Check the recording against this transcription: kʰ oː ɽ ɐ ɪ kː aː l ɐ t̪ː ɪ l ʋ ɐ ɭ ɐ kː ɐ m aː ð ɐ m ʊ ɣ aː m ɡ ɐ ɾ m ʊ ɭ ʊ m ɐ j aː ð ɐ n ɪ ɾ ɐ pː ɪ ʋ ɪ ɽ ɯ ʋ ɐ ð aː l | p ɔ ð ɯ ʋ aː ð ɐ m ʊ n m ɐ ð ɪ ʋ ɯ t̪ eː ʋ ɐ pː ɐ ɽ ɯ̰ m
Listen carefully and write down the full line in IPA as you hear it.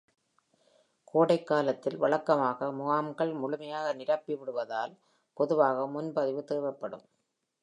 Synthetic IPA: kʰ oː ɽ ɐ ɪ kː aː l ɐ t̪ː ɪ l ʋ ɐ ɭ ɐ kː ɐ m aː ɣ ɐ m ʊ ɣ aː m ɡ ɐ ɭ m ʊ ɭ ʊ m ɐ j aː ɣ ɐ n ɪ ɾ ɐ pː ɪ ʋ ɪ ɽ ɯ ʋ ɐ ð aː l | p ɔ ð ɯ ʋ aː ɣ ɐ m ʊ n b ɐ ð ɪ ʋ ɯ t̪ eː ʋ ɐ pː ɐ ɽ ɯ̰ m